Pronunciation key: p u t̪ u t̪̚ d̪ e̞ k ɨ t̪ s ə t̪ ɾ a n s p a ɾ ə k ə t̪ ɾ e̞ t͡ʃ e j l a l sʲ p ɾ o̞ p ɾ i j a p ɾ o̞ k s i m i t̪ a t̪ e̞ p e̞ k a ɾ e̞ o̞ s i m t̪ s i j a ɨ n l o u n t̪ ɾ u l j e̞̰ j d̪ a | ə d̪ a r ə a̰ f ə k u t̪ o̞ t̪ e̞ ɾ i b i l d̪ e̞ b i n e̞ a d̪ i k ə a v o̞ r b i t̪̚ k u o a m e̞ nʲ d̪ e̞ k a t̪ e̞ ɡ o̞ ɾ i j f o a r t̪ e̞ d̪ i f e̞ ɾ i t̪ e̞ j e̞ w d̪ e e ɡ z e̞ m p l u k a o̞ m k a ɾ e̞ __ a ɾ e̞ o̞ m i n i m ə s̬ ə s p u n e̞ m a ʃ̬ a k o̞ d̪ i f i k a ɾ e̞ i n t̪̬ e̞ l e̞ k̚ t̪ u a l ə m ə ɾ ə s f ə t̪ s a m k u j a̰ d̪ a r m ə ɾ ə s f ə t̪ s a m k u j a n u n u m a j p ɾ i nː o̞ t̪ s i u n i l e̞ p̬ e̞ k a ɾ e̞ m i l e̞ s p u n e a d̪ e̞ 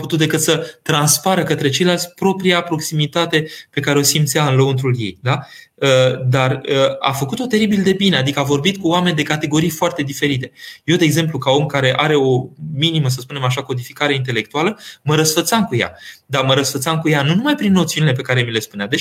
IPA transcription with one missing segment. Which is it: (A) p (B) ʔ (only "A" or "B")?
B